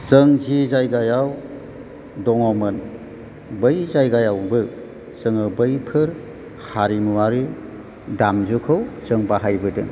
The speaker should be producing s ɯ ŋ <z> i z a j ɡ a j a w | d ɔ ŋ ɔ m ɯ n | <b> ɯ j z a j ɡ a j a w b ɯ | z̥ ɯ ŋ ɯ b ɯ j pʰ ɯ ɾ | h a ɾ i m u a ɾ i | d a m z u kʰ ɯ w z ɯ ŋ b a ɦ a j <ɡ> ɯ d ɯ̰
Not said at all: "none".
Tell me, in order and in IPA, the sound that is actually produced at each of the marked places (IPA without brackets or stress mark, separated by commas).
z, b, b